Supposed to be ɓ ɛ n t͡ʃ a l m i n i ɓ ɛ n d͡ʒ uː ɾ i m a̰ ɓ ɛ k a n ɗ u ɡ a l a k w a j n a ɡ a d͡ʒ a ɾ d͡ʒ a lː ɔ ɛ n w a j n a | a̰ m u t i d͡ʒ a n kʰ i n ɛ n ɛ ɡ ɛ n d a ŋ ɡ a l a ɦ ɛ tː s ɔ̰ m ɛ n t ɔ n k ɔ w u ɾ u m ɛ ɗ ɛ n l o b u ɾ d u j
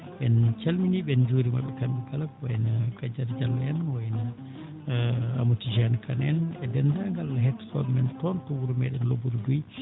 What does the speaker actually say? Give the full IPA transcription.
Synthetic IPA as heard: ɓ ɛ n t͡ʃ a l m i n i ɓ ɛ n d͡ʒ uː ɾ i m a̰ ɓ ɛ k a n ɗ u ɡ a l a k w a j n a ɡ a d͡ʒ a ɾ d͡ʒ a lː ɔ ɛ n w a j n a | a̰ m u t i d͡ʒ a n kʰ a n ɛ n ɛ d ɛ n d a ŋ ɡ a l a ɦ ɛ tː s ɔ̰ m ɛ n t ɔ n t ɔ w u ɾ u m ɛ ɗ ɛ n l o b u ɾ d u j